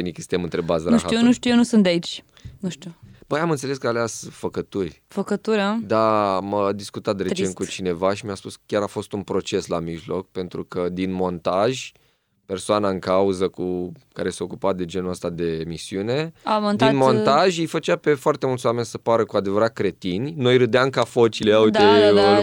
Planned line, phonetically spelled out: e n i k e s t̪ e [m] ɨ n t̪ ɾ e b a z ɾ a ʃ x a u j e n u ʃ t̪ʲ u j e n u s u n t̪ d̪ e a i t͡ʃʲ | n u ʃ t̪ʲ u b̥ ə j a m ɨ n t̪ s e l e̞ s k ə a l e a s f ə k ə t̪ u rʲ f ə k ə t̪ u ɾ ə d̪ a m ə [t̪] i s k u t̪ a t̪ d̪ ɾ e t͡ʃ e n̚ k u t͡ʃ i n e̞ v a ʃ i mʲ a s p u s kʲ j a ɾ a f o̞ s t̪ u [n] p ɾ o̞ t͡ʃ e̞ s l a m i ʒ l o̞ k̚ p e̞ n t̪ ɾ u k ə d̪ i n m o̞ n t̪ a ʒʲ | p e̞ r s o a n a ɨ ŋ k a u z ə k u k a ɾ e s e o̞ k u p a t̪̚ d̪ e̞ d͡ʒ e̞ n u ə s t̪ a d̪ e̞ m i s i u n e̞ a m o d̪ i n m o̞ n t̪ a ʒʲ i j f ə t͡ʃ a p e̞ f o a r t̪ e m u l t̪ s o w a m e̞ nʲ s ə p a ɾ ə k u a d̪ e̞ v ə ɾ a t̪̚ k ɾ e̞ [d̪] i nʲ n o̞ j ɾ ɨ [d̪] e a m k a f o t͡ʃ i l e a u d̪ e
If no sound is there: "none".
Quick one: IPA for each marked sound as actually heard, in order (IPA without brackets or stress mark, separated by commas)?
m, d̪, n, t̪, d̪